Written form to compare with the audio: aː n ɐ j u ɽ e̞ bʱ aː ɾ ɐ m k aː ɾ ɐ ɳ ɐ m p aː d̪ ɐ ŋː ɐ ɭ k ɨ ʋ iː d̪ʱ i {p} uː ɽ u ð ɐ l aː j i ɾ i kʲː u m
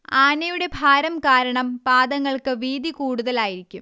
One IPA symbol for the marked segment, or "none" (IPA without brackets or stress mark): k